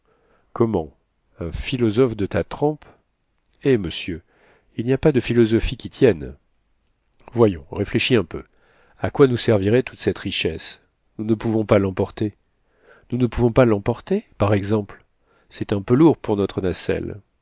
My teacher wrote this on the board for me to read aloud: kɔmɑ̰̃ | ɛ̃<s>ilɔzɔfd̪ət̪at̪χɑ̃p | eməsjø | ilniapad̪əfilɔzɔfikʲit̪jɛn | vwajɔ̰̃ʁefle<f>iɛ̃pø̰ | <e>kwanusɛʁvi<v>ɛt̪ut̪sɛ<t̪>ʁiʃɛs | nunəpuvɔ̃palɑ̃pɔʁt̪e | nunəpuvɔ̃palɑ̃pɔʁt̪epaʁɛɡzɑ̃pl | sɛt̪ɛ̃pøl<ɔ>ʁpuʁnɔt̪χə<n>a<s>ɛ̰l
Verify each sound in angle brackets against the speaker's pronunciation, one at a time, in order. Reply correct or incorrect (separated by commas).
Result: incorrect, incorrect, incorrect, incorrect, correct, incorrect, correct, correct